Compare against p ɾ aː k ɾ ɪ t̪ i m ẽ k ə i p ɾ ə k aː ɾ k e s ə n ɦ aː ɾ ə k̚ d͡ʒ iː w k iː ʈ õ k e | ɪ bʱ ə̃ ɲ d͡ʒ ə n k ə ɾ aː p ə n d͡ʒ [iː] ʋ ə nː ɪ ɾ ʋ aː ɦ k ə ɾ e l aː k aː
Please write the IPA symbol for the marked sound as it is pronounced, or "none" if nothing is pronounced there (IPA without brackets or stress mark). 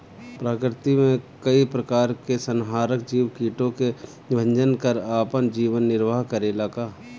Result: iː